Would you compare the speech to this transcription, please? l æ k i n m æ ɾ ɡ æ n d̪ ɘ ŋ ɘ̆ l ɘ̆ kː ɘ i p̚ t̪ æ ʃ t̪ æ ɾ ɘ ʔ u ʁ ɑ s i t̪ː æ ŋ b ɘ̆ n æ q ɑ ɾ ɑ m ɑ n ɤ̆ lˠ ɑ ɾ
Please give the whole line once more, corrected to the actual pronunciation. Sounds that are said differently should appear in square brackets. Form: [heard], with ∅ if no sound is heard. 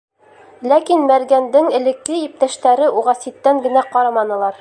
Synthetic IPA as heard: l æ k i n m æ ɾ ɡ æ n d̪ ɘ ŋ ɘ̆ l ɘ̆ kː ɘ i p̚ t̪ æ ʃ t̪ æ ɾ ɘ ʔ u ʁ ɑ s i t̪ː æ ŋ [ɡ] ɘ̆ n æ q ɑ ɾ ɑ m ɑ n ɤ̆ lˠ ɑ ɾ